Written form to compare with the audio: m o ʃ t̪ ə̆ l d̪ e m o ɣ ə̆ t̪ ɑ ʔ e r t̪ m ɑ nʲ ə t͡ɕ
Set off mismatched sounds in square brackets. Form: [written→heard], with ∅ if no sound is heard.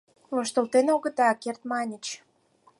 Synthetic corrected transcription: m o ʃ t̪ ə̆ l [d̪→t̪] e [m→n] o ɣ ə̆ t̪ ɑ [ʔ→k] e r t̪ m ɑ nʲ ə t͡ɕ